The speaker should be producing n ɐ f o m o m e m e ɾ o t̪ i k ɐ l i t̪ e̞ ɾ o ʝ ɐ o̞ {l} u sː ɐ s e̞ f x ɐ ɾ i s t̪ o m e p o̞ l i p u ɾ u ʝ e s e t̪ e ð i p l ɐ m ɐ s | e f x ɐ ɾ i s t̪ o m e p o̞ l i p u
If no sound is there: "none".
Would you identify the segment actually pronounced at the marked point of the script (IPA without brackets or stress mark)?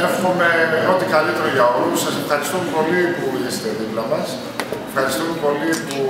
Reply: l